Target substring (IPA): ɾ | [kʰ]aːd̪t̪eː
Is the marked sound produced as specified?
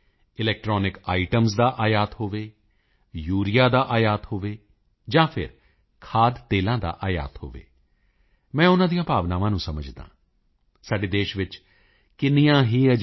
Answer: yes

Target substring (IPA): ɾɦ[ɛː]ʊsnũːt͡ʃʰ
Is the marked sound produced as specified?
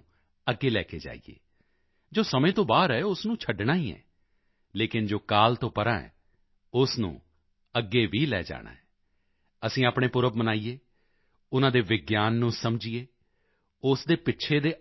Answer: yes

